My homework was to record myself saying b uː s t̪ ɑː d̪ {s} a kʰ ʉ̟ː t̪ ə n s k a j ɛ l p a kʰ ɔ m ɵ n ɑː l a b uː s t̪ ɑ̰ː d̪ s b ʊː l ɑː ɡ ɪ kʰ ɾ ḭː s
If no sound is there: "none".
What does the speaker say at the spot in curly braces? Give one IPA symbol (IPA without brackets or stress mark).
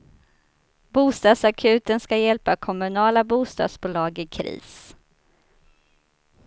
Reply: s